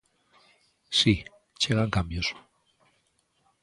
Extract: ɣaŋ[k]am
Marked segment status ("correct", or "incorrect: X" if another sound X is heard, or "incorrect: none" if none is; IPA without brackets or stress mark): correct